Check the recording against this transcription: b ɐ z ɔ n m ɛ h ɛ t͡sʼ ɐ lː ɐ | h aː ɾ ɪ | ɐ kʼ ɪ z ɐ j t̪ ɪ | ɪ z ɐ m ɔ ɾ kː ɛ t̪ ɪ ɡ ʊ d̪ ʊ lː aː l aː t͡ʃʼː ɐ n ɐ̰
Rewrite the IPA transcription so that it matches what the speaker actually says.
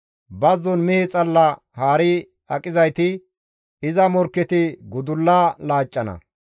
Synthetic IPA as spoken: b ɐ z ɔ n m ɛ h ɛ t͡sʼ ɐ lː ɐ | h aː ɾ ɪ | ɐ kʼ ɪ z ɐ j t̪ ɪ | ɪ z ɐ m ɔ ɾ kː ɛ t̪ ɪ ɡ ʊ d̪ ʊ lː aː l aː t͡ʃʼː ɐ n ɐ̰